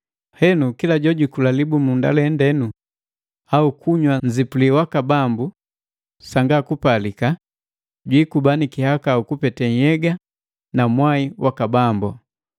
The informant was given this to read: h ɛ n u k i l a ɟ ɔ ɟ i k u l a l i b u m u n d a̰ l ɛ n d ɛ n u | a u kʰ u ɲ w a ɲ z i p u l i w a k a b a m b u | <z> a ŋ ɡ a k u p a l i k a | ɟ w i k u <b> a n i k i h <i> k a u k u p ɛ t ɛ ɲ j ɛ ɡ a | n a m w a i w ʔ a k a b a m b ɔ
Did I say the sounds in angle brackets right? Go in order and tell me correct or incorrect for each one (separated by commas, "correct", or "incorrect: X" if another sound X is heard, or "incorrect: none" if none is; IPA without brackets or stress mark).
incorrect: s, correct, incorrect: a